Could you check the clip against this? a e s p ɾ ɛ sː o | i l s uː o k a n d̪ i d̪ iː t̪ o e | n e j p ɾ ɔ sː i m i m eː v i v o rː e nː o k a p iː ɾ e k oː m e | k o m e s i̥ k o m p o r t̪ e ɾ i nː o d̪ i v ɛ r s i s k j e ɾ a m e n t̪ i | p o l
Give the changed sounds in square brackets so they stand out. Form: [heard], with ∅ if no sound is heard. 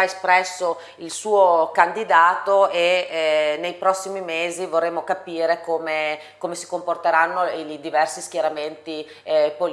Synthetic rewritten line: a e s p ɾ ɛ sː o | i l s uː o k a n d̪ i d̪ [aː] t̪ o e | n e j p ɾ ɔ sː i m i m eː [z] i v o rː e [mː] o k a p iː ɾ e k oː m e | k o m e s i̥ k o m p o r t̪ e ɾ [a] nː o d̪ i v ɛ r s i s k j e ɾ a m e n t̪ i | p o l

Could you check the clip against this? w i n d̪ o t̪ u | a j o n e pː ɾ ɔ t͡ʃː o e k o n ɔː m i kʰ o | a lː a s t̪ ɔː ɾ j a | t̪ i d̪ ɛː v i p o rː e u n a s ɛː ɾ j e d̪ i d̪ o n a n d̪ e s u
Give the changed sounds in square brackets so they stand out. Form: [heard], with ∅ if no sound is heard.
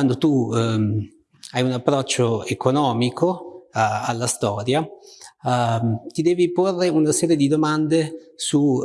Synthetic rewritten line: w [a] n d̪ o t̪ u | a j [u] n [a] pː ɾ ɔ t͡ʃː o e k o n ɔː m i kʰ o | a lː a s t̪ ɔː ɾ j a | t̪ i d̪ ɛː v i p o rː e u n a s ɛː ɾ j e d̪ i d̪ o [m] a n d̪ e s u

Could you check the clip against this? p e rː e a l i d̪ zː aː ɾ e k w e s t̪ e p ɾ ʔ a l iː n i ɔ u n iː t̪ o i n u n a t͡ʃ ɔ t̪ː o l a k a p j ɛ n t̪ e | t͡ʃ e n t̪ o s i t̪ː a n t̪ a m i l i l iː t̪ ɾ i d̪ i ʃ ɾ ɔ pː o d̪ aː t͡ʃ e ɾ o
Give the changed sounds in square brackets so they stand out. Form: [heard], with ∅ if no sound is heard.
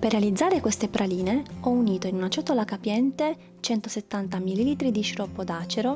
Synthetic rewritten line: p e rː e a l i d̪ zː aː ɾ e k w e s t̪ e p ɾ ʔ a l iː n [e] ɔ u n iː t̪ o i n u n a t͡ʃ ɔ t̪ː o l a k a p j ɛ n t̪ e | t͡ʃ [ɛ] n t̪ o s [e] t̪ː a n t̪ a m i l i l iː t̪ ɾ i d̪ i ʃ ɾ ɔ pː o d̪ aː t͡ʃ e ɾ o

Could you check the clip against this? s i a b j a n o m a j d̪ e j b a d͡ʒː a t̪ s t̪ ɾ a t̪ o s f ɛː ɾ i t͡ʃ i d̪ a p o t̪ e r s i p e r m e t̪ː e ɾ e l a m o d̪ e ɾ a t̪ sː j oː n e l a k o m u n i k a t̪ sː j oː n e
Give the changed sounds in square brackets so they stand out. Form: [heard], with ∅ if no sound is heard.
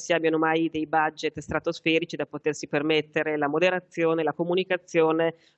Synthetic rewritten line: s i a b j a n o m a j d̪ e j b a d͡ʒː [e] t̪ s t̪ ɾ a t̪ o s f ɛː ɾ i t͡ʃ i d̪ a p o t̪ e r s i p e r m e t̪ː e ɾ e l a m o d̪ e ɾ a t̪ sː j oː n e l a k o m u n i k a t̪ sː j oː n e

